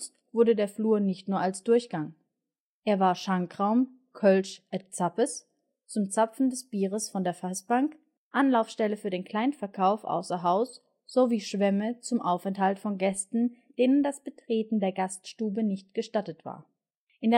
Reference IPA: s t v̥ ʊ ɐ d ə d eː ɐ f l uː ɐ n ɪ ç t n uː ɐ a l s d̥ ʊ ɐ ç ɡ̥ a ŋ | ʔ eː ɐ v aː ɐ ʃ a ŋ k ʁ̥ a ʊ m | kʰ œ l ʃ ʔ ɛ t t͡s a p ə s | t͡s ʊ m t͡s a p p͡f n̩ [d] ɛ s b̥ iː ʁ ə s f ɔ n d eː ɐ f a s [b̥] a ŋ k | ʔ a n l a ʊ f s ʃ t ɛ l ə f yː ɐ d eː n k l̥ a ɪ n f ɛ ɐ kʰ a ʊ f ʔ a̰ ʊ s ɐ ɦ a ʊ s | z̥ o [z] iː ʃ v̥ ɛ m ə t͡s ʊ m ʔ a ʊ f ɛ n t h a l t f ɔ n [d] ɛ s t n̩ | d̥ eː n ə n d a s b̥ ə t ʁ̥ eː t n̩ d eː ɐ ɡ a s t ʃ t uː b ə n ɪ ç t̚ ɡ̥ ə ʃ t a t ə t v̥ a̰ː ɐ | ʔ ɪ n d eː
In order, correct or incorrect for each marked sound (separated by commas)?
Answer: correct, correct, incorrect, incorrect